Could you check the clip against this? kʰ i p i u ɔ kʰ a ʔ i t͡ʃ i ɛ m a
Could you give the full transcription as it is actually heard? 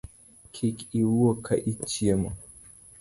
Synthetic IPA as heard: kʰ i k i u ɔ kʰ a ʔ i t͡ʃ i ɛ m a